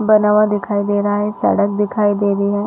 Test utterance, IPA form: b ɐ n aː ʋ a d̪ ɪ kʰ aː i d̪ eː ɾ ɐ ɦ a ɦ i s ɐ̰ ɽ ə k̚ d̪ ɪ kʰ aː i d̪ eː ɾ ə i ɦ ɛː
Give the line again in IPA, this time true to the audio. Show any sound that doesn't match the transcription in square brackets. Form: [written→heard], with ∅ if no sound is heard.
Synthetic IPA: b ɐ n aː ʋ a d̪ ɪ kʰ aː i d̪ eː ɾ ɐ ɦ a ɦ [i→ɛ] s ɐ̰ ɽ ə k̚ d̪ ɪ kʰ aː i d̪ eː ɾ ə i ɦ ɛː